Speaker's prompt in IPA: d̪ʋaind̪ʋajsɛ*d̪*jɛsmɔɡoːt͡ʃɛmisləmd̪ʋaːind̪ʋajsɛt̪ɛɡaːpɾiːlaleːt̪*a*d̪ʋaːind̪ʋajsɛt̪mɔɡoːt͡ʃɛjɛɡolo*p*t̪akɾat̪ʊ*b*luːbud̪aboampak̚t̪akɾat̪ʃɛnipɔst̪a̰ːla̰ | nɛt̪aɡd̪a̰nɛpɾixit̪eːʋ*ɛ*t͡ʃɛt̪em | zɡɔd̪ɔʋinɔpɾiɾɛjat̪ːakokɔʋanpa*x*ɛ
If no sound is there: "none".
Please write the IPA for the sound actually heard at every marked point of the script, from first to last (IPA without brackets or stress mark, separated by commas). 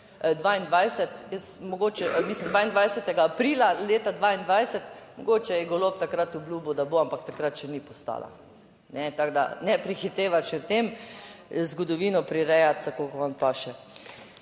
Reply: t̪, a, p, b, a, ʃ